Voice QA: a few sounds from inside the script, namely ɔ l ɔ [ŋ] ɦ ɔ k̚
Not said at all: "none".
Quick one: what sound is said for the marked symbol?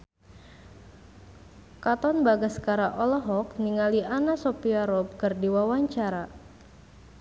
none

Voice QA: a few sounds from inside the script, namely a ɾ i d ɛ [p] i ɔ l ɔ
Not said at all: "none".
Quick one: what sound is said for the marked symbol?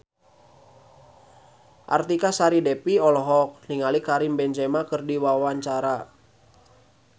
p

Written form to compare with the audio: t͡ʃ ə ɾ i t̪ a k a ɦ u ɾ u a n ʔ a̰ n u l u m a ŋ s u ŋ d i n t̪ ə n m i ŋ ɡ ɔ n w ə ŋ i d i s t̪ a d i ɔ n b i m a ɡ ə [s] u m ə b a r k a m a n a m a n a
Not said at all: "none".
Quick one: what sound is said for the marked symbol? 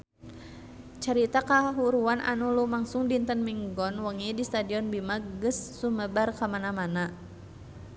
sː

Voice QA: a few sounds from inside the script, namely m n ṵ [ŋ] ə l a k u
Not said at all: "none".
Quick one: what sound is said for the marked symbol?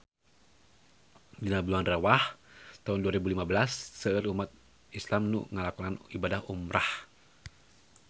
ŋ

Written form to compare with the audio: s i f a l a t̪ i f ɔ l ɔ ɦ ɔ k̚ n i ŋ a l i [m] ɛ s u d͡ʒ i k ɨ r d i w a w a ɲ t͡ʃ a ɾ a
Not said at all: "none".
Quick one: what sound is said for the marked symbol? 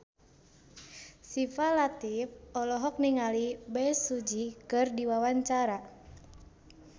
b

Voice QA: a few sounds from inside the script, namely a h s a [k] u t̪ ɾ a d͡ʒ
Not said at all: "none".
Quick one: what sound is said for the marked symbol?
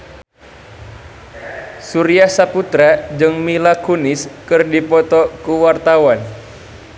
p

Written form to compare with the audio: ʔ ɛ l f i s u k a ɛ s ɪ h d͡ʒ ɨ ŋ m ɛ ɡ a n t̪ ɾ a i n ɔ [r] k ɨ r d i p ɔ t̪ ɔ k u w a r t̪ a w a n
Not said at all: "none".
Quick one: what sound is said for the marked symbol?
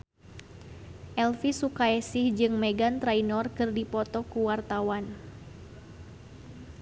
r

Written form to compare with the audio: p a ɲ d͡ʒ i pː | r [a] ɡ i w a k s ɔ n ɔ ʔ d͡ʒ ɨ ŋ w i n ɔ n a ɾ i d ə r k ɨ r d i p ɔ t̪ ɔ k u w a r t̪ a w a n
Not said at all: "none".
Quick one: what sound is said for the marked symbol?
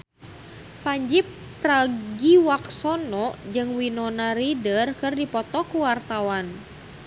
a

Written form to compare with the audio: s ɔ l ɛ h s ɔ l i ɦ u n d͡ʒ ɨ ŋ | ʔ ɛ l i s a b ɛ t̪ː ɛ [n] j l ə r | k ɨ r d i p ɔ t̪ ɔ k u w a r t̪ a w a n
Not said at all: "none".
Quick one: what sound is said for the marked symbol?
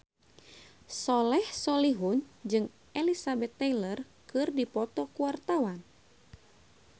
none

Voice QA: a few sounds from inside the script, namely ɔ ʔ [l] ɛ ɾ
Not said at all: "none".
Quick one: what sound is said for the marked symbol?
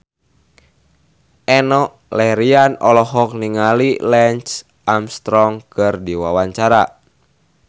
l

